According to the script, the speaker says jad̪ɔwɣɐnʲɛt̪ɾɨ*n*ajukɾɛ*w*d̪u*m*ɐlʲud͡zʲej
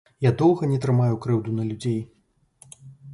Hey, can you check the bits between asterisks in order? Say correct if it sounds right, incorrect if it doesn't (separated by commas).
incorrect, correct, incorrect